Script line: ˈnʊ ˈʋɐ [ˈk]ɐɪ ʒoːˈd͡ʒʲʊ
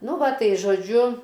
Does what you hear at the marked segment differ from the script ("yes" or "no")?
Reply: yes